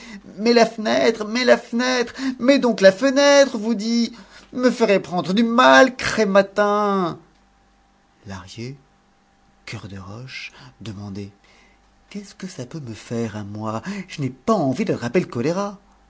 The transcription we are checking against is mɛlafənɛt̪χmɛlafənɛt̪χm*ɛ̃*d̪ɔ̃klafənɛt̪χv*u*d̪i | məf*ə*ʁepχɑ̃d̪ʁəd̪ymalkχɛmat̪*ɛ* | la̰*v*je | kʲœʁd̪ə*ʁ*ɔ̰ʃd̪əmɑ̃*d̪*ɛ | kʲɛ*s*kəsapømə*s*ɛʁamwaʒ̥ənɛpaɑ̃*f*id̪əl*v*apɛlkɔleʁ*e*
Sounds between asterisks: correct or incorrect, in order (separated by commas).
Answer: incorrect, correct, correct, incorrect, incorrect, correct, correct, correct, incorrect, incorrect, incorrect, incorrect